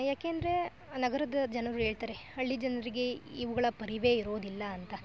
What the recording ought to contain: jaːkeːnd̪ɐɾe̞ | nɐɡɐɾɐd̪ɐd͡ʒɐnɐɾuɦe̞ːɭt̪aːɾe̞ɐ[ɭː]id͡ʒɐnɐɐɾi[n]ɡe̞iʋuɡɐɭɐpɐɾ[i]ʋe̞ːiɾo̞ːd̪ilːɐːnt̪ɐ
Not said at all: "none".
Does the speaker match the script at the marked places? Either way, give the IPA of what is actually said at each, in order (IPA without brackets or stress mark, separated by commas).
ɭː, none, i